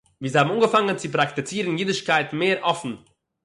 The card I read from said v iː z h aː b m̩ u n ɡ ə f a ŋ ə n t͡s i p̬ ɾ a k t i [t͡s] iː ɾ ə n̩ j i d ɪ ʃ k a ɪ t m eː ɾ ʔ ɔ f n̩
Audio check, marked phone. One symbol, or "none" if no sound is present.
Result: t͡s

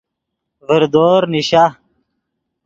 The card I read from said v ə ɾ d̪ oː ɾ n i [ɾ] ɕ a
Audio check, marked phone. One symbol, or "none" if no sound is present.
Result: none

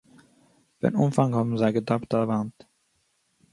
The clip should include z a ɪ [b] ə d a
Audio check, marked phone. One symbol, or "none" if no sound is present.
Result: ɡ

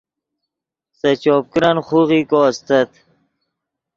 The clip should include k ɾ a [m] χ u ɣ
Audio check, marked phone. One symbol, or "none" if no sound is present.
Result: n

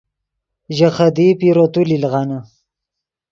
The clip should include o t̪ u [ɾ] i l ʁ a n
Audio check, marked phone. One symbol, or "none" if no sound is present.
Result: l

